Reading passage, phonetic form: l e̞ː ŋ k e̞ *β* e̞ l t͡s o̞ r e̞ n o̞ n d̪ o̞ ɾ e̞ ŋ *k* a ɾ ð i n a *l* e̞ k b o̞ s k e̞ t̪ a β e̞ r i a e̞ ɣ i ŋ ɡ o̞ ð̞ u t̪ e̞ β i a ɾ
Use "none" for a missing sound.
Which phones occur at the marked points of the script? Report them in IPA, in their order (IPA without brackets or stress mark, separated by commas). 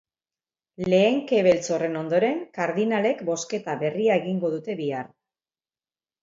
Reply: β, k, l